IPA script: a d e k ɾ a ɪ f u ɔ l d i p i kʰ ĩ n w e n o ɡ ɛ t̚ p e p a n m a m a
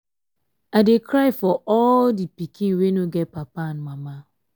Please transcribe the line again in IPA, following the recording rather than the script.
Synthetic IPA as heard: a d e k ɾ a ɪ f ɔ ɔ l d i p i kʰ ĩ n w e n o ɡ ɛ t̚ p a p a n m a m a